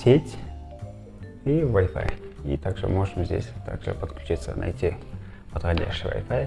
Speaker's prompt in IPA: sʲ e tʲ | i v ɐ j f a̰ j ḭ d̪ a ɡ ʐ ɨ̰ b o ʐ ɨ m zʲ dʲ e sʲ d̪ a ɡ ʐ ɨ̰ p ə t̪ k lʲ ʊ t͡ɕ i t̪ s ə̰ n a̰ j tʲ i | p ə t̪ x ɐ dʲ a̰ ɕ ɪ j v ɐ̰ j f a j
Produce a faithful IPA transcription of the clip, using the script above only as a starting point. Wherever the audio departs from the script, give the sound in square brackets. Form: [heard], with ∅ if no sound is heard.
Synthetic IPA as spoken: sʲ e tʲ | i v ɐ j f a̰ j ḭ [t̪] a ɡ ʐ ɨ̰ [m] o ʐ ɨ m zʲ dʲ e sʲ [t̪] a ɡ ʐ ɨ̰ p ə t̪ k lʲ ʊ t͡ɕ i t̪ s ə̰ n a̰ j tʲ i | p ə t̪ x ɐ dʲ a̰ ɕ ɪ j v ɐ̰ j f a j